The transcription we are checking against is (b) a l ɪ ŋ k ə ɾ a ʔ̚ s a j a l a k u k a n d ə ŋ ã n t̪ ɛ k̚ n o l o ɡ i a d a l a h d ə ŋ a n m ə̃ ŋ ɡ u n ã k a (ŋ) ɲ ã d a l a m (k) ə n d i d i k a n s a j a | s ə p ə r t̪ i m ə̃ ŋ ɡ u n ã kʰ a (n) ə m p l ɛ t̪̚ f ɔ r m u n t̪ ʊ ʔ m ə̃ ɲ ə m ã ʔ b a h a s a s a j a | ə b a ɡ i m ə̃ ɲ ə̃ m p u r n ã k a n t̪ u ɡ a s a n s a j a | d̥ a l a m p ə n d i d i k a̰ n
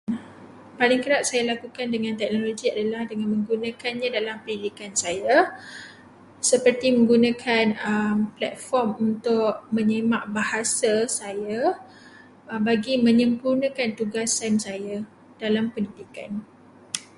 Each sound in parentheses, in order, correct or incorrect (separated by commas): incorrect, incorrect, incorrect, correct